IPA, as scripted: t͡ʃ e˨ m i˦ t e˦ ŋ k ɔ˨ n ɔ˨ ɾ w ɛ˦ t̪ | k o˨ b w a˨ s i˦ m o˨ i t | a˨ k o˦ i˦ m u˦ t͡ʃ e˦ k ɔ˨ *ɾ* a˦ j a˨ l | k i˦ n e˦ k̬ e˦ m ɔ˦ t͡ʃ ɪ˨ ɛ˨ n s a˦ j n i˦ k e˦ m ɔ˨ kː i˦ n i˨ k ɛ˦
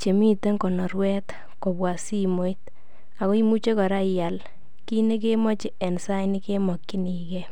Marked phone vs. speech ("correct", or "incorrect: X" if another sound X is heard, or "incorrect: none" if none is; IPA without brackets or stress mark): correct